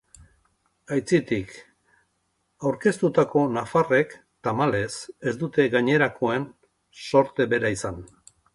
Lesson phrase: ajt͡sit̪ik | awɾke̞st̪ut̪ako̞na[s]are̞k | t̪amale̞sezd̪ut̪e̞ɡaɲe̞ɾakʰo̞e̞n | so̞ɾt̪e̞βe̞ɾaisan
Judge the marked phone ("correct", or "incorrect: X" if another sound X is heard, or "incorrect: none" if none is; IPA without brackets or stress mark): incorrect: f